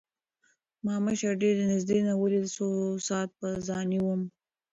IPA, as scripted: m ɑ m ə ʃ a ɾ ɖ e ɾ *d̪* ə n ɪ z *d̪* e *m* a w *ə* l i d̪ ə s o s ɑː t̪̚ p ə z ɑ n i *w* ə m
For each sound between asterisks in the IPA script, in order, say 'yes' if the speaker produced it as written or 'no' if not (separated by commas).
yes, yes, no, yes, yes